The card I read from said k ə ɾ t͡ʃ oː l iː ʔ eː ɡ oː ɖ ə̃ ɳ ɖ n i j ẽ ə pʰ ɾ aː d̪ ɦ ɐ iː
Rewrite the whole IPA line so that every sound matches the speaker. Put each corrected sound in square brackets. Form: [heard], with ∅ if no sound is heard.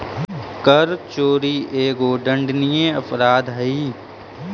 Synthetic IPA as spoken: k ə ɾ t͡ʃ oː [ɾ] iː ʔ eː ɡ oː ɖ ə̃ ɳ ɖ n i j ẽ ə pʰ ɾ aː d̪ ɦ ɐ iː